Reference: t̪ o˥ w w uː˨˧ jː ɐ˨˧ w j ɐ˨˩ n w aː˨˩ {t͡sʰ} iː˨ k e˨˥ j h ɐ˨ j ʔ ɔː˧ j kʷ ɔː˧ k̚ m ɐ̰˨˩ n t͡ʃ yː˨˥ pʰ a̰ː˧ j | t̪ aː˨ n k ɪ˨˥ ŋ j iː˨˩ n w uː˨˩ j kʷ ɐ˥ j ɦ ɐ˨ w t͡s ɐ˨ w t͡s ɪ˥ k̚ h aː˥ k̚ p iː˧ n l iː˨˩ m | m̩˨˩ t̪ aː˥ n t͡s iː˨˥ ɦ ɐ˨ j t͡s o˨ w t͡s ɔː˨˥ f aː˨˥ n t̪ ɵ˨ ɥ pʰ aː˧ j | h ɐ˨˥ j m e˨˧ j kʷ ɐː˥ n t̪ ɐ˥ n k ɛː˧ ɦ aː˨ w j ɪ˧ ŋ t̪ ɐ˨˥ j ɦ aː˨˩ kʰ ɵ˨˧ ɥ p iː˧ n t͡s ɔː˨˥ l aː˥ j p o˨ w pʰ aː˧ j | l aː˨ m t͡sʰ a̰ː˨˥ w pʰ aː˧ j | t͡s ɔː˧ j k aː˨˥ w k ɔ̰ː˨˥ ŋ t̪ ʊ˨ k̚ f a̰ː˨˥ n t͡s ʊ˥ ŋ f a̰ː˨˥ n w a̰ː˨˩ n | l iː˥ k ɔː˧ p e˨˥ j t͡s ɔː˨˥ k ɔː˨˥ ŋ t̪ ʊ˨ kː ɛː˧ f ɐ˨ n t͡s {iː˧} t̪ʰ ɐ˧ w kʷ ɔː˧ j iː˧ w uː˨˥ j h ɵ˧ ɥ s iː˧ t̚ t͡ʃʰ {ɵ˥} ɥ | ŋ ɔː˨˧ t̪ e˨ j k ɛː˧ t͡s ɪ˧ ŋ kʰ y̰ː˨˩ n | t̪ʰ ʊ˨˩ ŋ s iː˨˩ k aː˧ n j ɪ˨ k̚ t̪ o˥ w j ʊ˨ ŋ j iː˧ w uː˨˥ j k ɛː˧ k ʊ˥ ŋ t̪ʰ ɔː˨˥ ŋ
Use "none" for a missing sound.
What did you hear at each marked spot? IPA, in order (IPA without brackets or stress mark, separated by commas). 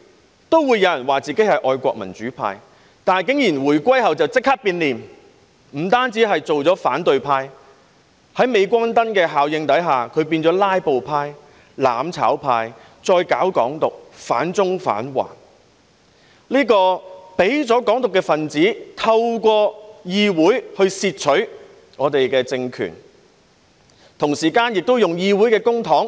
t͡s, iː˨˥, ɵ˨˥